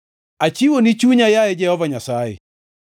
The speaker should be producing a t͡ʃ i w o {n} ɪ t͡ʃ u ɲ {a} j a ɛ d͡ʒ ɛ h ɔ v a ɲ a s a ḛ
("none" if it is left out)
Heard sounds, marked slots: n, a

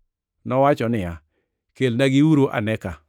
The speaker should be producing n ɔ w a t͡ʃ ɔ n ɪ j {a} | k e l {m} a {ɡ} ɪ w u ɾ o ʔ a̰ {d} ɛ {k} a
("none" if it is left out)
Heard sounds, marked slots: a, n, ɡ, n, k

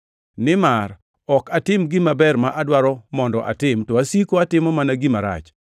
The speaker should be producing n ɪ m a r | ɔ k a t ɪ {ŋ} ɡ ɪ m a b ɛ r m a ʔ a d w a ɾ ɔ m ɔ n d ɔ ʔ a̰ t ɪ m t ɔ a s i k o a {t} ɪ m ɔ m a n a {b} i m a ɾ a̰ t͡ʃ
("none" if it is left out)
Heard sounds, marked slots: m, t, ɡ

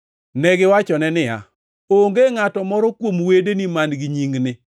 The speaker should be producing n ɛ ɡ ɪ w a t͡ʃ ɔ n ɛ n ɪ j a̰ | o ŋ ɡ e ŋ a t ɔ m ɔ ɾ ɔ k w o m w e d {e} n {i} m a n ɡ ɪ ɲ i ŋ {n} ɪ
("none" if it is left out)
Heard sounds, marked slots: e, i, n

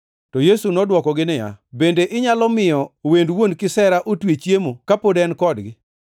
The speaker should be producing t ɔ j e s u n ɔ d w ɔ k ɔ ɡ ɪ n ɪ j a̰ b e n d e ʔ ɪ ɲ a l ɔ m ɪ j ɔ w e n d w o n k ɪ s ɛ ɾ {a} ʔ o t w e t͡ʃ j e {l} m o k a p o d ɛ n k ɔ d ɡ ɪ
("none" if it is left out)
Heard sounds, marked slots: a, none

